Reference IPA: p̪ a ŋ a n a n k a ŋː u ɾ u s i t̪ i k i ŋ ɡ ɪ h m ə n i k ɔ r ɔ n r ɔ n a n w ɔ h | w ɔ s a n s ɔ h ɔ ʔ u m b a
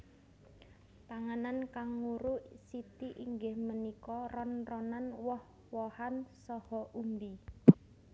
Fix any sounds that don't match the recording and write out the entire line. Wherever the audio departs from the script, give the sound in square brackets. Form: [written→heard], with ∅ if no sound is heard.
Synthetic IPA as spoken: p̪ a ŋ a n a n k a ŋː u ɾ u s i t̪ i [k→ʔ] i ŋ ɡ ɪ h m ə n i k ɔ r ɔ n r ɔ n a n w ɔ h | w ɔ [s→h] a n s ɔ h ɔ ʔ u m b [a→i]